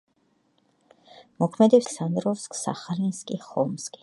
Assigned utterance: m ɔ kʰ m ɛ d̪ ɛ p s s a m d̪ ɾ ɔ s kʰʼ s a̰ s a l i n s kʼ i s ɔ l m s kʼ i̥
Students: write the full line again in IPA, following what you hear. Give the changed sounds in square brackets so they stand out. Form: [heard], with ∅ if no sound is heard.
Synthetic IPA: m ɔ kʰ m ɛ d̪ ɛ p s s a [n] d̪ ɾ ɔ s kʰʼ s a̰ [χ] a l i n s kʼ i [χ] ɔ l m s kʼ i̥